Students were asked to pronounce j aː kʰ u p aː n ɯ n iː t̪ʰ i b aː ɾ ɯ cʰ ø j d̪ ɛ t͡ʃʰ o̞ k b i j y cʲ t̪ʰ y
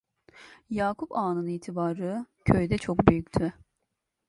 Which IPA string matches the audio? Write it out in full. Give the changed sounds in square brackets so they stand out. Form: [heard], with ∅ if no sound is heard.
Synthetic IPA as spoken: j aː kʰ u p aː n ɯ n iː t̪ʰ i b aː ɾ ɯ cʰ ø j d̪ ɛ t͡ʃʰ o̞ k b [y] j y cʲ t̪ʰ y